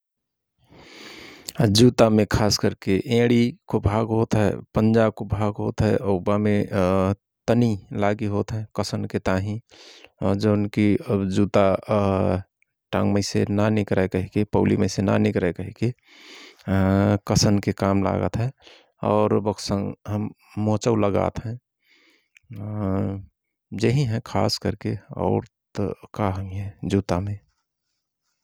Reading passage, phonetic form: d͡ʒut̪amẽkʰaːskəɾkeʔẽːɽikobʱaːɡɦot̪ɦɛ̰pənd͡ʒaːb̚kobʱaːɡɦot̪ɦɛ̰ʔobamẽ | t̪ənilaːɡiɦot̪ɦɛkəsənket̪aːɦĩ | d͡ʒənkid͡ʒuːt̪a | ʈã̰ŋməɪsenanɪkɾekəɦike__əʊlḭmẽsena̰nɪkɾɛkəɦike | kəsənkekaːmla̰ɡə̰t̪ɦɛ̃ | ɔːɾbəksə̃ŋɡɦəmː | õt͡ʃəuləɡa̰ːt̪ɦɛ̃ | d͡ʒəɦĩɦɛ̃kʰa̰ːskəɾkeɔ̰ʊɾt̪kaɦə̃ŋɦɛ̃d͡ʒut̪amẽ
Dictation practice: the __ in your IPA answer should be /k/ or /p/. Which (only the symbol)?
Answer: p